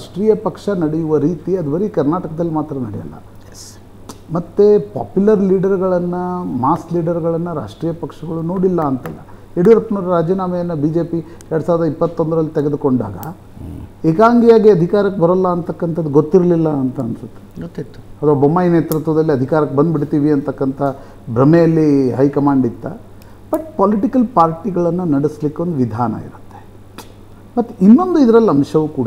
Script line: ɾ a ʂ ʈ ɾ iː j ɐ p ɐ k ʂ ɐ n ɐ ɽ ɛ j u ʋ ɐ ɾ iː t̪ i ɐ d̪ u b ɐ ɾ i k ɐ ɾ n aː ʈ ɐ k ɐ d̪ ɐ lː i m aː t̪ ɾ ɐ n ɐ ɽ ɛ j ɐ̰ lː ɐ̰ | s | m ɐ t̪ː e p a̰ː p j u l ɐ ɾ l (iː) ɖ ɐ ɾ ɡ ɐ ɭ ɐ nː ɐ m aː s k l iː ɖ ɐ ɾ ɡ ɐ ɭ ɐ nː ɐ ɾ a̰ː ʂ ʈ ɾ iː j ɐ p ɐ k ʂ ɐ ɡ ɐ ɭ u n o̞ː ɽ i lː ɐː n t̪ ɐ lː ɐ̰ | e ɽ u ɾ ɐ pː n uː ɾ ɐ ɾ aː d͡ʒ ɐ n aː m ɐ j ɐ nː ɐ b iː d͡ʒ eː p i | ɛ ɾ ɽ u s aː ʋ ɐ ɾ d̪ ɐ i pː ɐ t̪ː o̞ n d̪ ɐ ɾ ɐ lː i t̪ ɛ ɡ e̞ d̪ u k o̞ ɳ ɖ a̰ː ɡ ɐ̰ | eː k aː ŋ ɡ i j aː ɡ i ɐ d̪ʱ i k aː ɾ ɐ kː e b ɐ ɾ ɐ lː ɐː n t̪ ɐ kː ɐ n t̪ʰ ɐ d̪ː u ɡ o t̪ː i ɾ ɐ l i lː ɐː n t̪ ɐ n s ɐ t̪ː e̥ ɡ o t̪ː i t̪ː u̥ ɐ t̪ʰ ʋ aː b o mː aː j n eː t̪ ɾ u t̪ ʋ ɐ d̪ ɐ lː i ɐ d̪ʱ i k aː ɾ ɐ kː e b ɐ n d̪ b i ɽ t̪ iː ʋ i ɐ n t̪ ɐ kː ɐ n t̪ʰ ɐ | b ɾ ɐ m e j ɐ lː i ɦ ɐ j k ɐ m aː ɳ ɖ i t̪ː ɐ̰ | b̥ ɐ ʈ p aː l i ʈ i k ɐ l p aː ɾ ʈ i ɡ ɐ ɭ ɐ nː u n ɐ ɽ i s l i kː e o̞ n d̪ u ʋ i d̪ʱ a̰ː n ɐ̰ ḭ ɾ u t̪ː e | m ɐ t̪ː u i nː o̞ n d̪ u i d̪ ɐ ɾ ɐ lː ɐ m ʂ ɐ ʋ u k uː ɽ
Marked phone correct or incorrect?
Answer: correct